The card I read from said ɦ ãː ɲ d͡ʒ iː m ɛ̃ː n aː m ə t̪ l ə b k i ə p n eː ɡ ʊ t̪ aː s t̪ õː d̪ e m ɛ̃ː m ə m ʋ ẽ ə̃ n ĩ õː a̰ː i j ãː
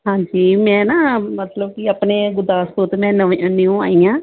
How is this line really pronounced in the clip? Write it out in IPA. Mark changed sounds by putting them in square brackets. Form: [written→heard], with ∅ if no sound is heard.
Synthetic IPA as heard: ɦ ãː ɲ d͡ʒ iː m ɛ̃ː n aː m ə t̪ l ə b k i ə p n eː ɡ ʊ [t̪→d̪] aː s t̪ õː [d̪→t̪] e m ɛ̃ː [m→n] ə [m→∅] ʋ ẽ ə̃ n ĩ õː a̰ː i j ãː